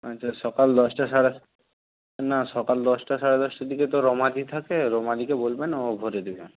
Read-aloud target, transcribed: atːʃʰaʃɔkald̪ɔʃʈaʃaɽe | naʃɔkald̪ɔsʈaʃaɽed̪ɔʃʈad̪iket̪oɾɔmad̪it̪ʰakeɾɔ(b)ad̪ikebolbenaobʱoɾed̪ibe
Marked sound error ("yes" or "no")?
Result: yes